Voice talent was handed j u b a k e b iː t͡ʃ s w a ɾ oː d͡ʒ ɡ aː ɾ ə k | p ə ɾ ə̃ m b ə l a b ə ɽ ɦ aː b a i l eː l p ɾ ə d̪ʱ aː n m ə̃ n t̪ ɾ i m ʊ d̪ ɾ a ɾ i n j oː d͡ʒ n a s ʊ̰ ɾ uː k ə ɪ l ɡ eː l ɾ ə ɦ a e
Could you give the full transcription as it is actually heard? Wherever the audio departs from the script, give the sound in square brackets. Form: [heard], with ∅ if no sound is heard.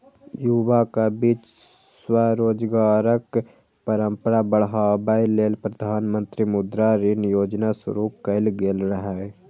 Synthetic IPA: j u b a k [a] b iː t͡ʃ s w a ɾ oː d͡ʒ ɡ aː ɾ ə k | p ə ɾ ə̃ m [p] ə [ɾ] a b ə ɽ ɦ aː b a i l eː l p ɾ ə d̪ʱ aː n m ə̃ n t̪ ɾ i m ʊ d̪ ɾ a ɾ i n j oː d͡ʒ n a s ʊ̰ ɾ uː k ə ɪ l ɡ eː l ɾ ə ɦ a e